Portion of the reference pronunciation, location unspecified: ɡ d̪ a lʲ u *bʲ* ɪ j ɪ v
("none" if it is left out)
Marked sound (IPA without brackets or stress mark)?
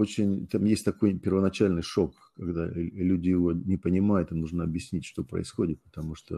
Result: dʲ